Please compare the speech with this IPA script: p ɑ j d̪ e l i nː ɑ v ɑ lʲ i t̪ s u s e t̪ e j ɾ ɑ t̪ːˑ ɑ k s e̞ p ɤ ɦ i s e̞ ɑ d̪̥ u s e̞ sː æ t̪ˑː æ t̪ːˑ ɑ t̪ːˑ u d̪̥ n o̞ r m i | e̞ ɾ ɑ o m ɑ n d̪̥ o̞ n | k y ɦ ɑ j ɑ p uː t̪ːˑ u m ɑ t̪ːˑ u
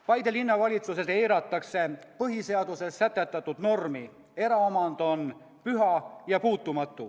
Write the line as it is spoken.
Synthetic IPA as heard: p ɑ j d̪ e l i nː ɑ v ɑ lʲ i t̪ s u s e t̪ e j ɾ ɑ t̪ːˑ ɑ k s e̞ p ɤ ɦ i s e̞ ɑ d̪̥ u s e̞ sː æ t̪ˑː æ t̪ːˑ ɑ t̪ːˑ u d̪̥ n o̞ r m i | e̞ ɾ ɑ o m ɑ n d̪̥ o̞ n | p y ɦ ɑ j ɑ p uː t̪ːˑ u m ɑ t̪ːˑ u